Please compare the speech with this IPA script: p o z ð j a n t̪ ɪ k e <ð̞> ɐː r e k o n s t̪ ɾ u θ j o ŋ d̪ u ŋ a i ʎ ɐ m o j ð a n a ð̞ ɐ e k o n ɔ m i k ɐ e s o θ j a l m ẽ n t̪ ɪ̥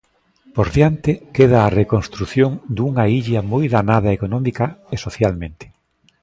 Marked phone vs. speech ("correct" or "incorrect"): correct